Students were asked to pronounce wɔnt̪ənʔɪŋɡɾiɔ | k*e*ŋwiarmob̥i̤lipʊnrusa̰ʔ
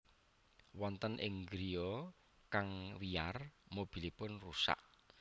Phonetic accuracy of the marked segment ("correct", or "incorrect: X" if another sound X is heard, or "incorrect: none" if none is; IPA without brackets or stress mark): incorrect: a